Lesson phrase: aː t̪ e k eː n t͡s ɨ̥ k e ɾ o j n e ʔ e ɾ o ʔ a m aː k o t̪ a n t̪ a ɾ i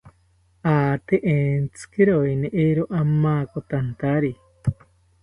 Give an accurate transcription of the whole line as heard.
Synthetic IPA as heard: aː t̪ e ʔ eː n t͡s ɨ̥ k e ɾ o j n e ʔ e ɾ o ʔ a m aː k o t̪ a n t̪ a ɾ i